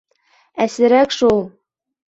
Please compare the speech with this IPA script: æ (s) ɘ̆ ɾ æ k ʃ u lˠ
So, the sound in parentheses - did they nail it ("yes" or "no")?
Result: yes